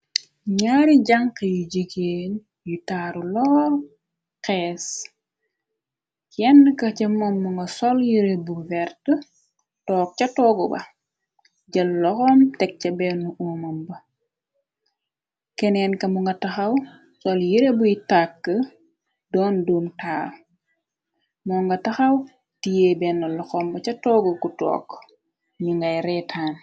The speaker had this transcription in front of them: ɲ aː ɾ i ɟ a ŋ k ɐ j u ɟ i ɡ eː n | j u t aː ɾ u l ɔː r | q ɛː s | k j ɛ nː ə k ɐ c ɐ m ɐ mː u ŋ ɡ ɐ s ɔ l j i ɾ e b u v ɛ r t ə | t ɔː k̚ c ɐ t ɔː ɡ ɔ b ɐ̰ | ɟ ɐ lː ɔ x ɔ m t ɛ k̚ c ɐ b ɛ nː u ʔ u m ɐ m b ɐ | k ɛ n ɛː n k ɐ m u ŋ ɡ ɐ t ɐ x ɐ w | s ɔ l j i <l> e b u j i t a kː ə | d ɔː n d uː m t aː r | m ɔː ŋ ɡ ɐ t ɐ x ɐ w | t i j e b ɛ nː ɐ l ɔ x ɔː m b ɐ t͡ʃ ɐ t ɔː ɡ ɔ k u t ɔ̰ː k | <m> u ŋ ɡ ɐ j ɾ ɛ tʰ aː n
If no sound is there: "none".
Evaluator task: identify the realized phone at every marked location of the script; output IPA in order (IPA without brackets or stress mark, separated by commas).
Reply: ɾ, ɲ